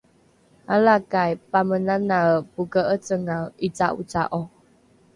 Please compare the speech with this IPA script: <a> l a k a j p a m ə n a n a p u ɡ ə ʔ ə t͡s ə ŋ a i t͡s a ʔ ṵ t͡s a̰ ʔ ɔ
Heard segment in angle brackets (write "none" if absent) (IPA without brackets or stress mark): a